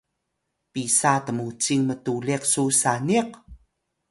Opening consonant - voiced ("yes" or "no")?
no